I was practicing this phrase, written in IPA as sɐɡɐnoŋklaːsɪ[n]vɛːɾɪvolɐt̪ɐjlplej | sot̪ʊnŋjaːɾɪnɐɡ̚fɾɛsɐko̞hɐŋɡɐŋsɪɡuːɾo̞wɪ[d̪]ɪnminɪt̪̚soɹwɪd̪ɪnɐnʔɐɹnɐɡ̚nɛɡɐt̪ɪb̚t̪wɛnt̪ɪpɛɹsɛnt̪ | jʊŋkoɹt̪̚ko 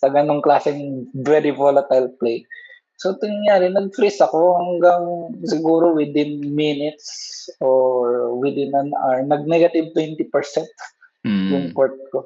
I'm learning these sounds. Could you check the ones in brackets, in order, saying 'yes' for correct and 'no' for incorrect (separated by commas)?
no, yes